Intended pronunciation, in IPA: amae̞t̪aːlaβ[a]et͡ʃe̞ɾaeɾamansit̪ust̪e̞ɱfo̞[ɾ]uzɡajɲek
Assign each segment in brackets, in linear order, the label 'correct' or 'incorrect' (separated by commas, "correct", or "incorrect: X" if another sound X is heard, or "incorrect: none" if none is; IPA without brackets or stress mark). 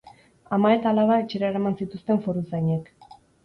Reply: correct, correct